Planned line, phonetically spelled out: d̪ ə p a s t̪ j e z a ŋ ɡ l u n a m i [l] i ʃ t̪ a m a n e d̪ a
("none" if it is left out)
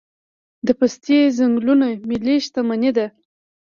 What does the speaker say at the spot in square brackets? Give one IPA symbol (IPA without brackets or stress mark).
l